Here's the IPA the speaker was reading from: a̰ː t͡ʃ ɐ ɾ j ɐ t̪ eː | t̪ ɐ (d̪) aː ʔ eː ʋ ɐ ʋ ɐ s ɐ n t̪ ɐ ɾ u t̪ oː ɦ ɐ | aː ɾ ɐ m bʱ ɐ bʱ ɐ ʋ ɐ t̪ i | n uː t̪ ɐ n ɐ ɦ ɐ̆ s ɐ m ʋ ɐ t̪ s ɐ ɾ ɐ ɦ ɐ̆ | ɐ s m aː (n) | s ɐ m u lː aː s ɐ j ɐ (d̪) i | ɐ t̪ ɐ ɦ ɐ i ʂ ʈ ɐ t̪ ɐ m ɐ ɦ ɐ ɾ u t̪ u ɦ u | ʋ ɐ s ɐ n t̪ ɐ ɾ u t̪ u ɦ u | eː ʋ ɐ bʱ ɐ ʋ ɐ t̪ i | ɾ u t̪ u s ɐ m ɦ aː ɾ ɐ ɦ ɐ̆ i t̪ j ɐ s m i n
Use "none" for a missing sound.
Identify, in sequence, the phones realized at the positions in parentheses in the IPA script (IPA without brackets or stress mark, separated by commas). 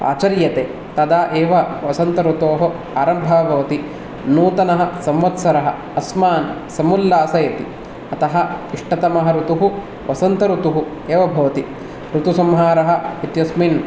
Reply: d̪, n, t̪